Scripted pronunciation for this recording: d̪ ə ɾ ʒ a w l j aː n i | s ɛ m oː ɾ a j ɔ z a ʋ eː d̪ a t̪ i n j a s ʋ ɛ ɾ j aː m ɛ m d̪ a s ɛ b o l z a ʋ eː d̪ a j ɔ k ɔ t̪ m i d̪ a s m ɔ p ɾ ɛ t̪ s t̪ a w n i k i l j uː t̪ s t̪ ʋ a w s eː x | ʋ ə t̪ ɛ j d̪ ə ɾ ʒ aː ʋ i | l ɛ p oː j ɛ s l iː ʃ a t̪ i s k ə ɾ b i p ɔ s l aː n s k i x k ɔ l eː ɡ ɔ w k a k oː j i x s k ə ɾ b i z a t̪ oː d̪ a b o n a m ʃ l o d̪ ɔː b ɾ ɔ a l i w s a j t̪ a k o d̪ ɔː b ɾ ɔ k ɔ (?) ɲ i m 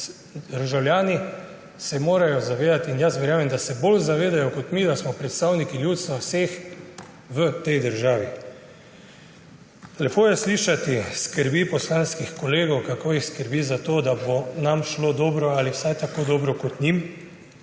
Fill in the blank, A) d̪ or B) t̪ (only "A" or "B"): B